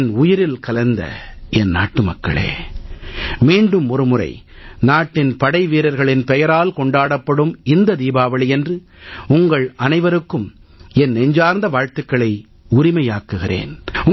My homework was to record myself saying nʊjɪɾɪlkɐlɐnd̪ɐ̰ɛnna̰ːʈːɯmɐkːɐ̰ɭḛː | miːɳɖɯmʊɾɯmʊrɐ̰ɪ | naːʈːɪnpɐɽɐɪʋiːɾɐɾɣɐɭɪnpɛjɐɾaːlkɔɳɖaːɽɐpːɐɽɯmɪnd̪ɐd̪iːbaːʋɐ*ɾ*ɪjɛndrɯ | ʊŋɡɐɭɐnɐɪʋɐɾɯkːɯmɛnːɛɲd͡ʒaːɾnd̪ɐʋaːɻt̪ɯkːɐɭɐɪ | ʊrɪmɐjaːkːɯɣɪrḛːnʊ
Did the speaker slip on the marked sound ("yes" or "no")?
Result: yes